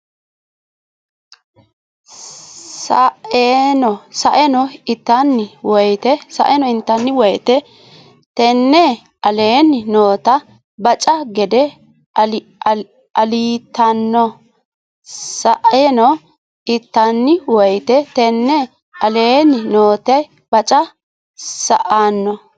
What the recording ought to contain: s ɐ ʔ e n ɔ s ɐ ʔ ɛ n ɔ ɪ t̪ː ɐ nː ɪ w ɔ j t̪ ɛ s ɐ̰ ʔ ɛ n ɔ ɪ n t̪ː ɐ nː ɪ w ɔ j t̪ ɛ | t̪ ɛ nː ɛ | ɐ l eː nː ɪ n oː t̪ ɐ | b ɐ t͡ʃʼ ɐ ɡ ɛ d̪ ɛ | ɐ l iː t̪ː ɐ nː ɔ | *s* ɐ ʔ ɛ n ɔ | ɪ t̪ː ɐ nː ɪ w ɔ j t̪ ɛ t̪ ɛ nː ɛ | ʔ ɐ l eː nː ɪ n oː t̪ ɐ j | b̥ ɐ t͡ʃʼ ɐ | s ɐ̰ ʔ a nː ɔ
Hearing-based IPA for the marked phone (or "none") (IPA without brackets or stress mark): s